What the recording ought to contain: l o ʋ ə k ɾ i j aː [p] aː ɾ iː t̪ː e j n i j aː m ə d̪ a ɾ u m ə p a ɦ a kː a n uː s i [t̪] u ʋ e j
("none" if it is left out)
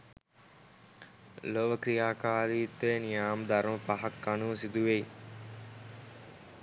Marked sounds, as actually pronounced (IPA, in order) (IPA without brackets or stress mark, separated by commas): k, d̪